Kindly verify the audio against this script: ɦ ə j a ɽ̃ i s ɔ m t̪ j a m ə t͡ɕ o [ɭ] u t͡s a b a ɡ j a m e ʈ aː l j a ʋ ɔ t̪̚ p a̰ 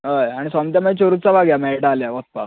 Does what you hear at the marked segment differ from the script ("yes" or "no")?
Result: yes